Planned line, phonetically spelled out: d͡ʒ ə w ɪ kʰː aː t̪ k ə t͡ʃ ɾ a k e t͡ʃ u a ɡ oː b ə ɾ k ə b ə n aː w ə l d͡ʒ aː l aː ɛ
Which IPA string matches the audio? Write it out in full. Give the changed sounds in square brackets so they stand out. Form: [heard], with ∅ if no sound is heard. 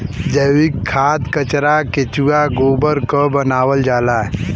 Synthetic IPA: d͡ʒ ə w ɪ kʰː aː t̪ k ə t͡ʃ ɾ a k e t͡ʃ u a ɡ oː b ə ɾ k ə b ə n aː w ə l d͡ʒ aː l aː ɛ